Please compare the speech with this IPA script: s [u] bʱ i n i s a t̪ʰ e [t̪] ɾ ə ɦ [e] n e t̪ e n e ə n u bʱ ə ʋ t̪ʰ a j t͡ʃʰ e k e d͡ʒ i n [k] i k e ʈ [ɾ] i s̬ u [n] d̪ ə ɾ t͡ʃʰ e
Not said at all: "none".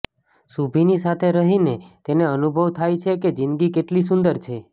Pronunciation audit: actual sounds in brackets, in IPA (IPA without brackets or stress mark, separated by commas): u, none, i, ɡ, l, n